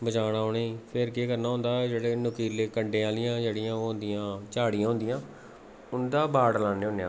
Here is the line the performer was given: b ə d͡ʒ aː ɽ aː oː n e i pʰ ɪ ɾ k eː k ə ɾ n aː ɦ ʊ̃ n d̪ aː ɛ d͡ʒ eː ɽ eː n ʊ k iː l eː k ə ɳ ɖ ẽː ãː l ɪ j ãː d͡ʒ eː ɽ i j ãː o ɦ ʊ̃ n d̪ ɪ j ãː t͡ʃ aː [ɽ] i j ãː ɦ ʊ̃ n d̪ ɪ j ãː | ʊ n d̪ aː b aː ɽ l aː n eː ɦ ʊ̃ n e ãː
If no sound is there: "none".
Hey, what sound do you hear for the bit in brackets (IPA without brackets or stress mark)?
ɽ